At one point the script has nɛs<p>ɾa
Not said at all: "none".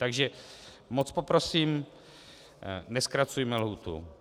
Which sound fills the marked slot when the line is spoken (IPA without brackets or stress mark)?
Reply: k